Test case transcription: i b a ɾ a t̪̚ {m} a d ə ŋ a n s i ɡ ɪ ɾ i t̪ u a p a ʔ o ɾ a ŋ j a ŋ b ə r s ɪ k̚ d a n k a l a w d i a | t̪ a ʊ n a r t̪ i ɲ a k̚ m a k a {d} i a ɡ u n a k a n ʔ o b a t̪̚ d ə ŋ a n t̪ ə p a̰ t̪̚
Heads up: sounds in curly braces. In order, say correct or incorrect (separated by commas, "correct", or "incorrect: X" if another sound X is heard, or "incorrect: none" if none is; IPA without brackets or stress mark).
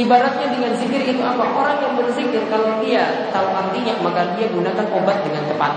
incorrect: ɲ, correct